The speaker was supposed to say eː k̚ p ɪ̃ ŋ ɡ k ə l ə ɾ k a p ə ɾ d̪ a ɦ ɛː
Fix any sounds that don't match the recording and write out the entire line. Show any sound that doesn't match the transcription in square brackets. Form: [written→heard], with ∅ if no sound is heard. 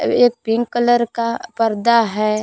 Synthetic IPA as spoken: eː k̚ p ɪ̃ ŋ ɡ k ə l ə ɾ k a p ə ɾ d̪ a ɦ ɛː

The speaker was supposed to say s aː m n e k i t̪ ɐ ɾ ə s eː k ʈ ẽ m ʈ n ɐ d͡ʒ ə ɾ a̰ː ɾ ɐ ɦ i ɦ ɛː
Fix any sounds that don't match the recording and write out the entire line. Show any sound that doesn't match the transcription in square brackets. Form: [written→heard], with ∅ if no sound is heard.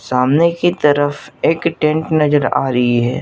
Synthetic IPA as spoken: s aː m n e k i t̪ ɐ ɾ ə [s→f] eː k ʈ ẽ [m→ɳ] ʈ n ɐ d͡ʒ ə ɾ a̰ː ɾ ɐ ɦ i ɦ ɛː

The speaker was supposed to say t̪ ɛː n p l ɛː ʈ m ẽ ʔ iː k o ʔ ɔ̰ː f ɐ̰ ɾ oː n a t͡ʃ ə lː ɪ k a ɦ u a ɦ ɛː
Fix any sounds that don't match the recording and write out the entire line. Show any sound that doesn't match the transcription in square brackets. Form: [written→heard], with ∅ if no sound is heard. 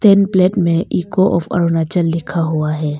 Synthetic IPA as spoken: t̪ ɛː n p l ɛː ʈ m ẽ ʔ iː k o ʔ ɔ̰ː f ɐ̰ ɾ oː n a t͡ʃ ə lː ɪ [k→kʰ] a ɦ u a ɦ ɛː

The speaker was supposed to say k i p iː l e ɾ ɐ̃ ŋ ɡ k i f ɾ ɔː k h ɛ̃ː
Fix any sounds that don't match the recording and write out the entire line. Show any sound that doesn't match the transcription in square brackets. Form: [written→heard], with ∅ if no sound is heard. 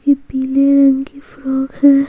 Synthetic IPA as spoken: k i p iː l e ɾ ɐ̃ ŋ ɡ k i f ɾ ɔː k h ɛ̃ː

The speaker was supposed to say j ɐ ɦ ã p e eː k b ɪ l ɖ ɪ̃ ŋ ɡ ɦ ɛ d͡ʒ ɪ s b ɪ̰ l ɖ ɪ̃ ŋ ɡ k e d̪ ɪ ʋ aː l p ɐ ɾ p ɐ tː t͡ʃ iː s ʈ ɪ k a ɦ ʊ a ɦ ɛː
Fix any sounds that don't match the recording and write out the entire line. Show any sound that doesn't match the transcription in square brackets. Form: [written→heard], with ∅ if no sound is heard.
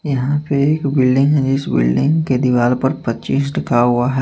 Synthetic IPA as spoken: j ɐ ɦ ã p e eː k b ɪ l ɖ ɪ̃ ŋ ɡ ɦ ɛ d͡ʒ ɪ s b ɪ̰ l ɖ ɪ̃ ŋ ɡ k e d̪ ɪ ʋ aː l p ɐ ɾ p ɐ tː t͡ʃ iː s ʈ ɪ k a ɦ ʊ a ɦ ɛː

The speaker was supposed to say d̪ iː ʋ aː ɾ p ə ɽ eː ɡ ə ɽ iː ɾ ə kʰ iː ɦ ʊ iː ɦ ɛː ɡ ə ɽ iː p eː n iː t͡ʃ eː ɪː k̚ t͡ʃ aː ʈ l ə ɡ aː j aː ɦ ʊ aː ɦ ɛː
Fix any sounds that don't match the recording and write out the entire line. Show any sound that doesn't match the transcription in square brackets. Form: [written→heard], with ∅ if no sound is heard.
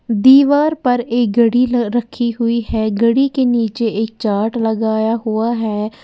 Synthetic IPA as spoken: d̪ iː ʋ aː ɾ p ə [ɽ→ɾ] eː ɡ ə ɽ iː ɾ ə kʰ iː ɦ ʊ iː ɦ ɛː ɡ ə ɽ iː [p→k] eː n iː t͡ʃ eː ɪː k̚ t͡ʃ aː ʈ l ə ɡ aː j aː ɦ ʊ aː ɦ ɛː

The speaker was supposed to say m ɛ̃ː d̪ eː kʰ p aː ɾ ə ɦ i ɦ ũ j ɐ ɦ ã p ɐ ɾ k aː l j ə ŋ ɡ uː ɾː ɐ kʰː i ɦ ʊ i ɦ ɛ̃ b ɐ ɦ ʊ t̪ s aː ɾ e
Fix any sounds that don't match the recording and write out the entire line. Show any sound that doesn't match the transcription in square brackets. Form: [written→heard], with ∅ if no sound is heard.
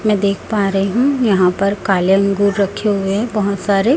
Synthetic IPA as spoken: m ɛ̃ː d̪ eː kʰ p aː ɾ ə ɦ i ɦ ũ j ɐ ɦ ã p ɐ ɾ k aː l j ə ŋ ɡ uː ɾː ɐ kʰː [i→e] ɦ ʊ [i→e] ɦ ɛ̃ b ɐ ɦ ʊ t̪ s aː ɾ e

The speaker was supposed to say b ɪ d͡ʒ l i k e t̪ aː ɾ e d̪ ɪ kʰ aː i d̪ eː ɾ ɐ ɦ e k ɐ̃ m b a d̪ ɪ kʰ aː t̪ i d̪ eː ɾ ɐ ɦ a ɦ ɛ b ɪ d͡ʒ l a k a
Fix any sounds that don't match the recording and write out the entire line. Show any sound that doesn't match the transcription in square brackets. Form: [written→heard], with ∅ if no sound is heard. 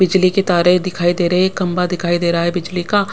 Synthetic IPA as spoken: b ɪ d͡ʒ l i k e t̪ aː ɾ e d̪ ɪ kʰ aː i d̪ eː ɾ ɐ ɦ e k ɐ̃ m b a d̪ ɪ kʰ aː [t̪→∅] i d̪ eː ɾ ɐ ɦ a ɦ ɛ b ɪ d͡ʒ l [a→i] k a

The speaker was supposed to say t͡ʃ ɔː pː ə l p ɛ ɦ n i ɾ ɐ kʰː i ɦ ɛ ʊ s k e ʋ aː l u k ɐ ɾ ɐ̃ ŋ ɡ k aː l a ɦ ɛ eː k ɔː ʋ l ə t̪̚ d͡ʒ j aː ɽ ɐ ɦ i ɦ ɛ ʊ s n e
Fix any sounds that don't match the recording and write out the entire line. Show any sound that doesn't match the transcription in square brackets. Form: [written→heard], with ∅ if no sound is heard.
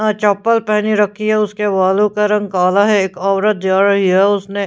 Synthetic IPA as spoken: t͡ʃ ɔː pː ə l p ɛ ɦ n i ɾ ɐ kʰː i ɦ ɛ ʊ s k e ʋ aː l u k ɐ ɾ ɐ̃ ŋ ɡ k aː l a ɦ ɛ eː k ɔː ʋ [l→ɾ] ə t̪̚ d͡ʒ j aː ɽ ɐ ɦ i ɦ ɛ ʊ s n e

